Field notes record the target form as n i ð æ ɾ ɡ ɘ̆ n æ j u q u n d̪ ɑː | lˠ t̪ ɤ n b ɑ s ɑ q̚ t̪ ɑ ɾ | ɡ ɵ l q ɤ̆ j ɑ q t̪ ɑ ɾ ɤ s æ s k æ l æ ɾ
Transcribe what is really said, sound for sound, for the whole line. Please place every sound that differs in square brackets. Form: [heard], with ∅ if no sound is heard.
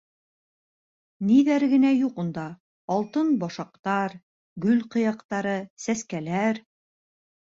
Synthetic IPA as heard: n i ð æ ɾ ɡ ɘ̆ n æ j u q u n d̪ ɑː | lˠ t̪ ɤ n b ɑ [ʃ] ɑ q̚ t̪ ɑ ɾ | ɡ ɵ l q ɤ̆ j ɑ q t̪ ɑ ɾ ɤ s æ s k æ l æ ɾ